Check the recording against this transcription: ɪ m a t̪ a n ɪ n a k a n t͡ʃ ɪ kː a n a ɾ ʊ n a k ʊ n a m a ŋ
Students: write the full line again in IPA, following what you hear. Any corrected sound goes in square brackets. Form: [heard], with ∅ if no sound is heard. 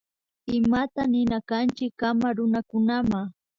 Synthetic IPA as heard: ɪ m a t̪ a n ɪ n a k a n t͡ʃ ɪ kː a [m] a ɾ ʊ n a k ʊ n a m a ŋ